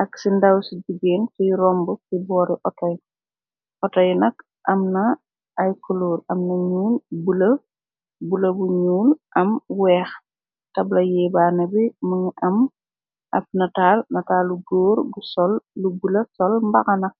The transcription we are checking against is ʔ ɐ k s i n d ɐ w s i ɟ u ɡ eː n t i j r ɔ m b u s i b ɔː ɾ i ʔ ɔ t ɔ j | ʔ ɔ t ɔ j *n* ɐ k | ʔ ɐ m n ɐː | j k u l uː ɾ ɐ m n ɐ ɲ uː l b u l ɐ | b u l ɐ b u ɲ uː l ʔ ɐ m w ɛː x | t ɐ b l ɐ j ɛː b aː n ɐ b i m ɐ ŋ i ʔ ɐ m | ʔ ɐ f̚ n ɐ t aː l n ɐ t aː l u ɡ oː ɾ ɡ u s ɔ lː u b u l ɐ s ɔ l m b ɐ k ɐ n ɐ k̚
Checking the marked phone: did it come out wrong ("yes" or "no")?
no